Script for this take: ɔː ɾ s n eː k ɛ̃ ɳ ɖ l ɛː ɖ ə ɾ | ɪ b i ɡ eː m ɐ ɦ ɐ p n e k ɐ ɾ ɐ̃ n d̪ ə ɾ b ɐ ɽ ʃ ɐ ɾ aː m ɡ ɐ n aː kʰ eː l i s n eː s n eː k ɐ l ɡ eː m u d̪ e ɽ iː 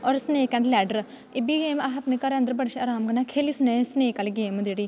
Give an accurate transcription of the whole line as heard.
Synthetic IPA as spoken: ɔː ɾ s n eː k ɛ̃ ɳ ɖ l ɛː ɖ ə ɾ | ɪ b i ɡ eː m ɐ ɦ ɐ p n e k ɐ ɾ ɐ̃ n d̪ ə ɾ b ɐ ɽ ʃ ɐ ɾ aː m ɡ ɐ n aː kʰ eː l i s n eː s n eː k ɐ l ɡ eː m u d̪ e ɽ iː